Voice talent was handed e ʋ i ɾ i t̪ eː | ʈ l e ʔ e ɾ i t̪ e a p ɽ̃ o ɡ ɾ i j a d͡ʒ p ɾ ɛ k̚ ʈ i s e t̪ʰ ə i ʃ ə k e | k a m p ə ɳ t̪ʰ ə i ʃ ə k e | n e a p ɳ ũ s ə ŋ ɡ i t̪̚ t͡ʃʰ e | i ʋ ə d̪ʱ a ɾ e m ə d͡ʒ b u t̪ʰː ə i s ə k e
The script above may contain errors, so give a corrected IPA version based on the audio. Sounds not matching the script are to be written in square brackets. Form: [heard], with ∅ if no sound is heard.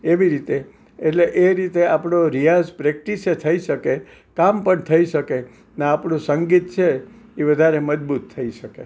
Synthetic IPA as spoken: e ʋ i ɾ i t̪ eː | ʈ l e ʔ e ɾ i t̪ e a p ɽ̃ o [∅] ɾ i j a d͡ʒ p ɾ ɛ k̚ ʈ i s e t̪ʰ ə i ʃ ə k e | k a m p ə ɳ t̪ʰ ə i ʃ ə k e | n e a p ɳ ũ s ə ŋ ɡ i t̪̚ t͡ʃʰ e | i ʋ ə d̪ʱ a ɾ e m ə d͡ʒ b u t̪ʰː ə i [ʃ] ə k e